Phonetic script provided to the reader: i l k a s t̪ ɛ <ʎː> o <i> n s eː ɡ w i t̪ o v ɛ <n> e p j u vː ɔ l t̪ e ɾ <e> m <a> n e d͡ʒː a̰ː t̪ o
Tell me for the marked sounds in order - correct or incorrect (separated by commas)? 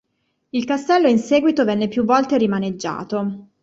incorrect, correct, incorrect, incorrect, correct